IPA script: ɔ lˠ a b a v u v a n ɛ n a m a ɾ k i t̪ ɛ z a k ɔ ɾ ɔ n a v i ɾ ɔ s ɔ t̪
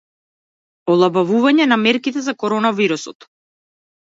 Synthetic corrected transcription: ɔ lˠ a b a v u v a ɲ ɛ n a m ɛ ɾ k i t̪ ɛ z a k ɔ ɾ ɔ n a v i ɾ u s ɔ t̪